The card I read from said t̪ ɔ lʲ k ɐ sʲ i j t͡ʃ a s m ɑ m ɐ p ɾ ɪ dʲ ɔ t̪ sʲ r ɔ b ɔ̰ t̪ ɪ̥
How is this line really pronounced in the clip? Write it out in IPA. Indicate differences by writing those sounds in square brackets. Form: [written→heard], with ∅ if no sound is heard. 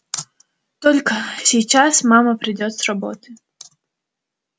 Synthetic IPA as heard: t̪ ɔ lʲ k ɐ sʲ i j t͡ʃ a s m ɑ m ɐ p ɾ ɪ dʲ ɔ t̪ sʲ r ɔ b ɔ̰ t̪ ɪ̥